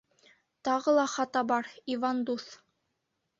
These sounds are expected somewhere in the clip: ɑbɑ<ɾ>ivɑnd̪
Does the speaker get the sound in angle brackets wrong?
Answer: no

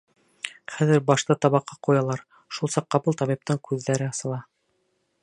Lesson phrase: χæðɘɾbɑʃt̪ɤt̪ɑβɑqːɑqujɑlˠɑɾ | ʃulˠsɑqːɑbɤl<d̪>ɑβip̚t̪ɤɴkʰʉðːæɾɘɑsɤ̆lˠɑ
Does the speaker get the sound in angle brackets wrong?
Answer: yes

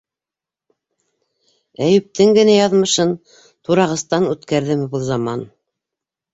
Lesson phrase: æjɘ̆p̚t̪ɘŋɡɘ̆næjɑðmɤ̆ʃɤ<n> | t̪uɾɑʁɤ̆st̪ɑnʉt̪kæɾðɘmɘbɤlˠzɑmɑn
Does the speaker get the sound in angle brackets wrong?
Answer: no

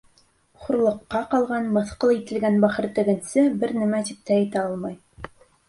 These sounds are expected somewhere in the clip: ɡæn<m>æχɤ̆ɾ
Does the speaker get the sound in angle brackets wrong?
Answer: yes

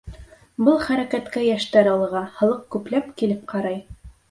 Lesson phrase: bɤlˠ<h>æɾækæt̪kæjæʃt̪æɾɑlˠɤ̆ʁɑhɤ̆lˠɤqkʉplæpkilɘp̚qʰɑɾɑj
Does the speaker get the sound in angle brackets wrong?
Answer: yes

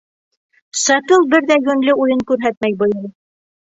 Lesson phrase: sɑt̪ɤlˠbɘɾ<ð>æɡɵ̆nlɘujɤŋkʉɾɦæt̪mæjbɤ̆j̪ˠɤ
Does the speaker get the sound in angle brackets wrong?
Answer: no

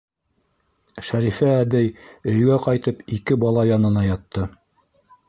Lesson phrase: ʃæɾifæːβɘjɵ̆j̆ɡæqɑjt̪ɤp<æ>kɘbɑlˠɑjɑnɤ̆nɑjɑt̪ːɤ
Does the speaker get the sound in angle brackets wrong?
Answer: yes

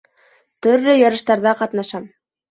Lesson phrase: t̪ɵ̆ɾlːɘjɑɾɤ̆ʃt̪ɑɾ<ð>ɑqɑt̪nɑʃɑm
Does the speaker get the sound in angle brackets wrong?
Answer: no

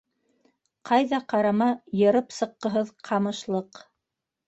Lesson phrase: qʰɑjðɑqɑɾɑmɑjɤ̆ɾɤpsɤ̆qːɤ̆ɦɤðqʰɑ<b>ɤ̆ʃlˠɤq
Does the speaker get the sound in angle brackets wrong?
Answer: yes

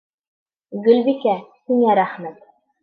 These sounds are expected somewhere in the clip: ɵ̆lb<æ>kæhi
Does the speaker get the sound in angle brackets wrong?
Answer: yes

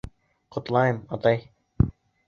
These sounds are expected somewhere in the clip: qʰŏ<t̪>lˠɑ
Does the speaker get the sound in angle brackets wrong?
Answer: no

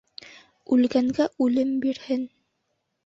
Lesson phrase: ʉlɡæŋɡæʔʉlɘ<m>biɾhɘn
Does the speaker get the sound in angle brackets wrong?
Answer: no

